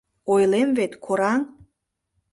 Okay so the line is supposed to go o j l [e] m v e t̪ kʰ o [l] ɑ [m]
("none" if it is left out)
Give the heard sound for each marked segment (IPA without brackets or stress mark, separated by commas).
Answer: e, ɾ, ŋ